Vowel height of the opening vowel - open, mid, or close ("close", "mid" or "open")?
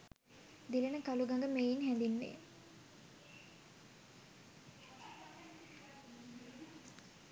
close